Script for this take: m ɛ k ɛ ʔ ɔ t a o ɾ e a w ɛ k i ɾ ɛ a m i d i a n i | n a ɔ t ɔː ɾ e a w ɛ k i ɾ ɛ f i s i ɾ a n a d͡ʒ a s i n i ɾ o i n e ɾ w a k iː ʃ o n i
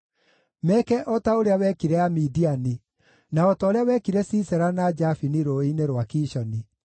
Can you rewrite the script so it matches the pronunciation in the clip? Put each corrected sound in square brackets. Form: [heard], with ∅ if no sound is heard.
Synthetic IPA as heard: m ɛ k ɛ ʔ ɔ t a o ɾ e a w ɛ k i ɾ ɛ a m i d i a n i | n a ɔ t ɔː ɾ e a w ɛ k i ɾ ɛ [s] i s [ɛ] ɾ a n a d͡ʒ a [f] i n i ɾ o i n e ɾ w a k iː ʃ [ɔ] n i